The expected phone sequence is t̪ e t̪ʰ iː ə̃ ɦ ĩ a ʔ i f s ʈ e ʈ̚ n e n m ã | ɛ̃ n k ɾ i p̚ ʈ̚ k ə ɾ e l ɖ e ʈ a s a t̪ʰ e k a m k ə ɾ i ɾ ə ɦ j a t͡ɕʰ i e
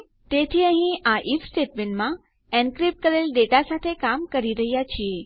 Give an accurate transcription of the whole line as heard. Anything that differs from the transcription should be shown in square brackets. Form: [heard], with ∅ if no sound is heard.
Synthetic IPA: t̪ e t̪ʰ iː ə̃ ɦ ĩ a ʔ i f s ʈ e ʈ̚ [m] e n m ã | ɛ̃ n k ɾ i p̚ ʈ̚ k ə ɾ e l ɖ e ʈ a s a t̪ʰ e k a m k ə ɾ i ɾ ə ɦ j a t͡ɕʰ i e